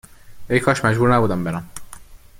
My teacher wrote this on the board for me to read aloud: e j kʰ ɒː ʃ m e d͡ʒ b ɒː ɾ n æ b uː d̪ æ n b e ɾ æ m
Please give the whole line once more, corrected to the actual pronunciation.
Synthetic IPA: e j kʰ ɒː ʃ m æ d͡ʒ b uː ɾ n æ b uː d̪ æ m b e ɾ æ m